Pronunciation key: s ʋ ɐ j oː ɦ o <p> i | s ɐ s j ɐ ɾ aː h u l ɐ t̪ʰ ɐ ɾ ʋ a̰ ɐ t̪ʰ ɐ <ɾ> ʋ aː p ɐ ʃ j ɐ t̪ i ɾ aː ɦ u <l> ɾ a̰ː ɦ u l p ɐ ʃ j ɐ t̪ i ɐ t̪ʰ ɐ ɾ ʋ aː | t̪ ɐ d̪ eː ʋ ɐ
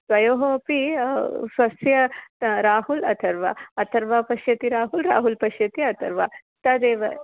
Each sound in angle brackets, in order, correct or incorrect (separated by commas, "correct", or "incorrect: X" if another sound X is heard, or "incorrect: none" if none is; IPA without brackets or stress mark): correct, correct, correct